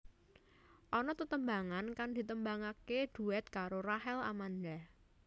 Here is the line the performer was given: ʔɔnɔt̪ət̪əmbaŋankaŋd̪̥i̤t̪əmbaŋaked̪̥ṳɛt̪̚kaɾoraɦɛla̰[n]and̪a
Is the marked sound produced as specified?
no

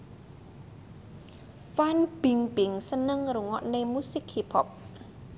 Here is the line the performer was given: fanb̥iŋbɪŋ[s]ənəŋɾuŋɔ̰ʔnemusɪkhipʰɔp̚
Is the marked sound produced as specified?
yes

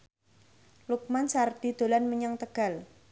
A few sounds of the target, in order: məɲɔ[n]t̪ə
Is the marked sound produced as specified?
no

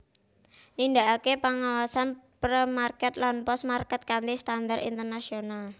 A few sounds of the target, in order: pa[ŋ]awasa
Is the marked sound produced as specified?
yes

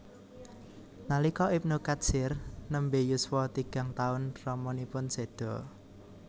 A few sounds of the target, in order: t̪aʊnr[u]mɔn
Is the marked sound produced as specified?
no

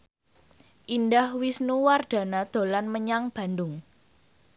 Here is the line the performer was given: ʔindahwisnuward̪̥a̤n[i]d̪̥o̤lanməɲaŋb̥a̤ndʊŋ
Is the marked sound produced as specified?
no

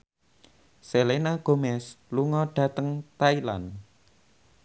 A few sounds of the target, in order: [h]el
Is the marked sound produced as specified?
no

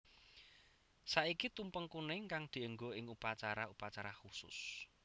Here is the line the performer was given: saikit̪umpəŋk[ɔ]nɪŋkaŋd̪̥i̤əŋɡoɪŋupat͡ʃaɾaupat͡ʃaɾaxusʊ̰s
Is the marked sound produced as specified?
no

